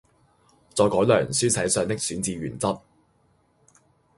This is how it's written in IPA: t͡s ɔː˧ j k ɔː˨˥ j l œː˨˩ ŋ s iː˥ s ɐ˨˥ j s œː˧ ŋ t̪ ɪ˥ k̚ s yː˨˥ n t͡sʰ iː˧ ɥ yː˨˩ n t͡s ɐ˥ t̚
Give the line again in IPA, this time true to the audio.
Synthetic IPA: t͡s ɔː˧ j k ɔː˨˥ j l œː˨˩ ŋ s yː˥ s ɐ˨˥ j s œː˧ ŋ t̪ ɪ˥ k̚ s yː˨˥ n t͡s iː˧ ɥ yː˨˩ n t͡s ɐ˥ t̚